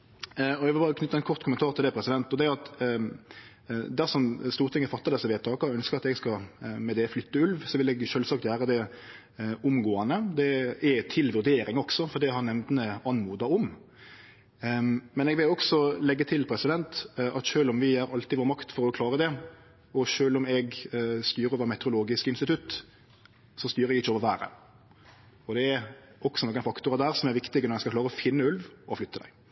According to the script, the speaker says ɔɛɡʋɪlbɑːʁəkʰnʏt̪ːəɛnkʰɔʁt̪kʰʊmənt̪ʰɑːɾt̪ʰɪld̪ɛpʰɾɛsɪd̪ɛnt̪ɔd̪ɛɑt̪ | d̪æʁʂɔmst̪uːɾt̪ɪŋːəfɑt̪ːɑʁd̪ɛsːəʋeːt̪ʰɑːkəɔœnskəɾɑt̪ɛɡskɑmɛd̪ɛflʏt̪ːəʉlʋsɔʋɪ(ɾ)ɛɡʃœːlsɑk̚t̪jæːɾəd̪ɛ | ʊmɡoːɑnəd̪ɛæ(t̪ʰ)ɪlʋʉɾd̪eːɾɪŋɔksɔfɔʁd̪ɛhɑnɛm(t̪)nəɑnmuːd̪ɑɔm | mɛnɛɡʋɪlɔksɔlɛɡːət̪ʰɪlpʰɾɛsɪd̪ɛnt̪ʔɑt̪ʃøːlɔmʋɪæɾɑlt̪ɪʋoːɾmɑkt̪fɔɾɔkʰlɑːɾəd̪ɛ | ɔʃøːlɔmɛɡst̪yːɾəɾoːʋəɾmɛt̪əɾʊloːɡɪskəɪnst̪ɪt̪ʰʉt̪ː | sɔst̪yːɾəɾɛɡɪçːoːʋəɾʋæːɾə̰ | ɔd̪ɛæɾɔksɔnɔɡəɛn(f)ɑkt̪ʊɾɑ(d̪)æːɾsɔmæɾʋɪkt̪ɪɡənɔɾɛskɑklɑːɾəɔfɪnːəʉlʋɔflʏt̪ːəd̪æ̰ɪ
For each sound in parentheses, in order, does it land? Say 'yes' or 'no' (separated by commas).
no, yes, no, yes, yes